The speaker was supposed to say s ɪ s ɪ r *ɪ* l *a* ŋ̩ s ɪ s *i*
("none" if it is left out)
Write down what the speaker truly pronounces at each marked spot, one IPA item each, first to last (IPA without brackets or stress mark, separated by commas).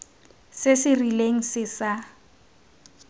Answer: i, e, a